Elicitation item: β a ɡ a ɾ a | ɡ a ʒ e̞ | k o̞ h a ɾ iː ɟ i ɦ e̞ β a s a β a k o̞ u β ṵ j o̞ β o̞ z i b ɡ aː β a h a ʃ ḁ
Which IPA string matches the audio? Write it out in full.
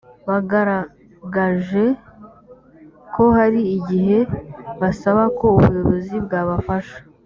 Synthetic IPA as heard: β a ɡ a ɾ a | ɡ a ʒ e̞ | k o̞ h a ɾ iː ɟ i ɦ e̞ β a s a β a k o̞ u β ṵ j o̞ β o̞ z i b ɡ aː β a f a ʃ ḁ